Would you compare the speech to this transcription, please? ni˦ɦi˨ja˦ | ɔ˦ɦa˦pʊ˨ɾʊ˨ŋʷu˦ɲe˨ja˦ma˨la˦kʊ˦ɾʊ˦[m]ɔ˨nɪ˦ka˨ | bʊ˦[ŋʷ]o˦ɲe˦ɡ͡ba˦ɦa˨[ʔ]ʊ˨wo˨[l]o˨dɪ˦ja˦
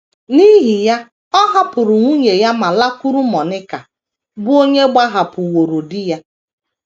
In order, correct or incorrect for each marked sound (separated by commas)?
correct, incorrect, incorrect, incorrect